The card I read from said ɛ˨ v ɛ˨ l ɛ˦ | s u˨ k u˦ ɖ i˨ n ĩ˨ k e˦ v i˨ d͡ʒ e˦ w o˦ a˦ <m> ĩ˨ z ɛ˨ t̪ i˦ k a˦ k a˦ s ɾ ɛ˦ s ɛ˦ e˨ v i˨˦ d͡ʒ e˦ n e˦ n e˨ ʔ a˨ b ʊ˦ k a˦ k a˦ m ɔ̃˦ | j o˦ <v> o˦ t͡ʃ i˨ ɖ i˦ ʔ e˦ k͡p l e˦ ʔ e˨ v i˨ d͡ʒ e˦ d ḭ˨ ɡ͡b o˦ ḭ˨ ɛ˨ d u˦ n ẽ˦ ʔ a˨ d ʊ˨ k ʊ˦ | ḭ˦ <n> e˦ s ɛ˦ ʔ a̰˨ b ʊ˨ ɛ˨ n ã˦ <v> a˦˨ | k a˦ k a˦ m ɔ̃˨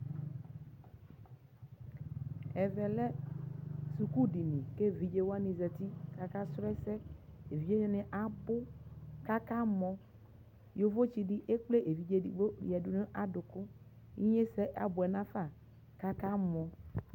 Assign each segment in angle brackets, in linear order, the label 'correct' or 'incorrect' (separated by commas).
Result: incorrect, correct, incorrect, incorrect